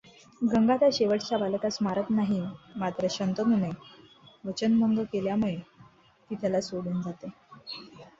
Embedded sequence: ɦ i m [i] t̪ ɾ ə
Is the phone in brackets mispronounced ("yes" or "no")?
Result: yes